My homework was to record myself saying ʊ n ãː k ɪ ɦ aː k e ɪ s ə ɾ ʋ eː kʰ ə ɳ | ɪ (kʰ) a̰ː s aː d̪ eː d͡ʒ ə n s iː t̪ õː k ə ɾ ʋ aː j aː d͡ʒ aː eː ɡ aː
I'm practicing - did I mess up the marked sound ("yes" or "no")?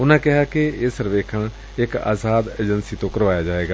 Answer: yes